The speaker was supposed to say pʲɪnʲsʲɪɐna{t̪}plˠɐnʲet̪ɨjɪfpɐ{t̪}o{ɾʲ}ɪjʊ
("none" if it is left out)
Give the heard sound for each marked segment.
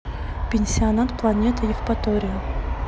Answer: t̪, t̪, ɾʲ

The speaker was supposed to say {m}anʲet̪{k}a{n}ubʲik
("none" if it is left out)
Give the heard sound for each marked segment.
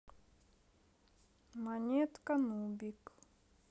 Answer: m, k, n

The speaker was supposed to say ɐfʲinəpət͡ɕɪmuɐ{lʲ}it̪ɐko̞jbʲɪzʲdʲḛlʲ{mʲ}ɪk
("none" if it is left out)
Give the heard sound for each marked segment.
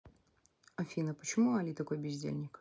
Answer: lʲ, nʲ

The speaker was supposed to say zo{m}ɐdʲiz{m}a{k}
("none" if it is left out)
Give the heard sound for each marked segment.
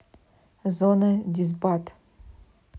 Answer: n, b, t

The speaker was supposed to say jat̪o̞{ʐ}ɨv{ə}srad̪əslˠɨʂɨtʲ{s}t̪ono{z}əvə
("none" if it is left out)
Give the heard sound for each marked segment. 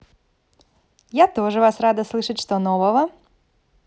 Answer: ʐ, a, ʂ, v

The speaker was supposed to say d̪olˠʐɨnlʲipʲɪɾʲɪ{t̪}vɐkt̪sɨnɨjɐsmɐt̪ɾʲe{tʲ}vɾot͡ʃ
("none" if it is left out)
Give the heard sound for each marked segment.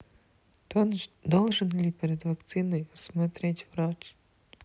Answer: d̪, tʲ

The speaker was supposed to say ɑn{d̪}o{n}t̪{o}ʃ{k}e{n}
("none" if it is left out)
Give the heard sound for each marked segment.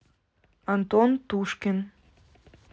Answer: t̪, n, u, k, n

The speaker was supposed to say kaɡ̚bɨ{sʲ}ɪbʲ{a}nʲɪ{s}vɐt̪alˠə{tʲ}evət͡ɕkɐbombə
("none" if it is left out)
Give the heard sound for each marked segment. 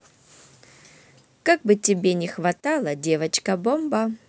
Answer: tʲ, e, x, dʲ

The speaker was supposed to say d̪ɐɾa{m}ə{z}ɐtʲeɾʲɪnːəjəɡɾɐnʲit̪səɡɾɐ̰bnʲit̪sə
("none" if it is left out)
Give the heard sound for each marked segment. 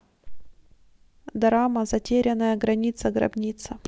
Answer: m, z

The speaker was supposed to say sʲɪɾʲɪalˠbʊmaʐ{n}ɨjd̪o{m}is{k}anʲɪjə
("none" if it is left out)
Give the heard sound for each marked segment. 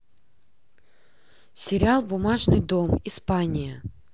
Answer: n, m, p

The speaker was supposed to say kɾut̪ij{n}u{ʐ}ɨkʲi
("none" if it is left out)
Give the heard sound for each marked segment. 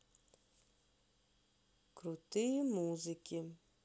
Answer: m, z

